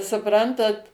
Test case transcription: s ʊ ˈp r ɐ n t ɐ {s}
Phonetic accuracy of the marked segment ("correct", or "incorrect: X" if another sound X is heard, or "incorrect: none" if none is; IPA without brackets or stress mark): incorrect: t